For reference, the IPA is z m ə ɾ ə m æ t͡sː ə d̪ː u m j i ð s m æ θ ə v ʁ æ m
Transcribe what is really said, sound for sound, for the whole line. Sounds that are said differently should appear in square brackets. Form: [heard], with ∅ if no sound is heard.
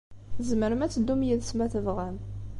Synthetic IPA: z m ə ɾ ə m æ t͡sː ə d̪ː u m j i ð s m æ θ ə v ʁ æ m